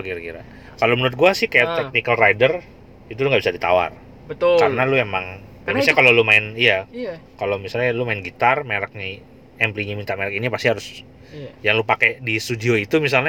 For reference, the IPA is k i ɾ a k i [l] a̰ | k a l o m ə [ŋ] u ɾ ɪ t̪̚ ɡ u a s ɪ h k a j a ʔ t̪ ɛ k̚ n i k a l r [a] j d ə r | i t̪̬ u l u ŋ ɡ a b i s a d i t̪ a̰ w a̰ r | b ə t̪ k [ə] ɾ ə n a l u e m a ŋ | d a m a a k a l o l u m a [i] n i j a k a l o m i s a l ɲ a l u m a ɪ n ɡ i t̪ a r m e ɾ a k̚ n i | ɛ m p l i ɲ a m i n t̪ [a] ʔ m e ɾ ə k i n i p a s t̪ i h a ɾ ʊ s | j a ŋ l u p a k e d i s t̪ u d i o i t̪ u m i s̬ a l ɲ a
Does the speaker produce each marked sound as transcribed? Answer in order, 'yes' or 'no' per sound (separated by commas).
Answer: no, no, yes, no, no, yes